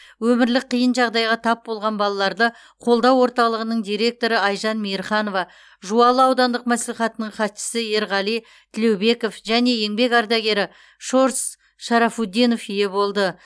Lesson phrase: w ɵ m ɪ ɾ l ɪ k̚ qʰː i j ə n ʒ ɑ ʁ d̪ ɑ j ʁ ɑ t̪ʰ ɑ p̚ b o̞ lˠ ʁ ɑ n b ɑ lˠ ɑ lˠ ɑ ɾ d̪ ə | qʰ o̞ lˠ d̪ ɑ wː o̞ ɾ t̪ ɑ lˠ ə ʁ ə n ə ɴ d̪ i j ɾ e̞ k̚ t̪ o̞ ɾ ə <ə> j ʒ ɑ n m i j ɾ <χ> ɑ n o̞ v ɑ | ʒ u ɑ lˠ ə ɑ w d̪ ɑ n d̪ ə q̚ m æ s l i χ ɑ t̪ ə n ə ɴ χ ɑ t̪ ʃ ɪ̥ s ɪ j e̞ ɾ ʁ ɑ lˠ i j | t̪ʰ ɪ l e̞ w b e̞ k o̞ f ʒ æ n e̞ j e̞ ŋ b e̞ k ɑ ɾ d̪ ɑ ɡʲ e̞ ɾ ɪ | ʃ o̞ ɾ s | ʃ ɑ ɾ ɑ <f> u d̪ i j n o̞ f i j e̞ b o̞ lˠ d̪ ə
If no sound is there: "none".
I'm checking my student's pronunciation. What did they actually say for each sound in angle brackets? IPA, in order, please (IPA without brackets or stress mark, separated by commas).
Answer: ɑ, χ, f